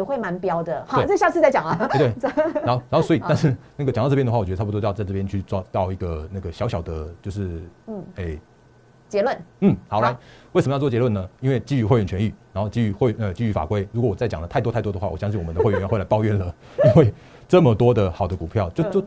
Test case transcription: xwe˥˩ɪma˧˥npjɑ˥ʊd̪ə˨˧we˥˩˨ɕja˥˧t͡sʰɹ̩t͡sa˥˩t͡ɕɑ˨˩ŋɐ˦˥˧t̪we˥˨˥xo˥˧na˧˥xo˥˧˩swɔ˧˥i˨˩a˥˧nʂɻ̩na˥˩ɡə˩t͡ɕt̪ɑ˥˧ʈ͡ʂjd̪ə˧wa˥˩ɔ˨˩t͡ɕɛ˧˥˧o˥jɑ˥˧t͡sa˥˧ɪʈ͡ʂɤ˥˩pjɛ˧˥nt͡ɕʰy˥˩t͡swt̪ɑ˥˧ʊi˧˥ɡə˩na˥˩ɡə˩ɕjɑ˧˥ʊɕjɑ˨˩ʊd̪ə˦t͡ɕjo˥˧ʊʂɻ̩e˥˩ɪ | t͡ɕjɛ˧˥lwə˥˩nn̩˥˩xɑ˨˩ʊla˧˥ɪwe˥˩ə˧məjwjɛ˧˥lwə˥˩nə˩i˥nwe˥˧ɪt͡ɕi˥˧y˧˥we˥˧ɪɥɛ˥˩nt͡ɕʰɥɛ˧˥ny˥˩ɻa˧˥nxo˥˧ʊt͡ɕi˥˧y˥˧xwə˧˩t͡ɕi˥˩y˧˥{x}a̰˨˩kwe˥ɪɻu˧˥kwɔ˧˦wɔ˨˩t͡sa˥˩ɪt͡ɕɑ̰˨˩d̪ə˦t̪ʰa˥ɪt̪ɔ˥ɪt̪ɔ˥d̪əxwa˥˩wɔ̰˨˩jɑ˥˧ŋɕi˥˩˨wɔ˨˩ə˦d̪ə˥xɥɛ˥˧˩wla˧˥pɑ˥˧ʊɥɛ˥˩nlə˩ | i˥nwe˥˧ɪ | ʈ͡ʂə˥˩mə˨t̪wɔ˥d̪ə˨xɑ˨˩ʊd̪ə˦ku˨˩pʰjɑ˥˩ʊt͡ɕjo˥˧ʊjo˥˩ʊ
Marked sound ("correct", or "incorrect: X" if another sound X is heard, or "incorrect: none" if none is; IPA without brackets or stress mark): incorrect: f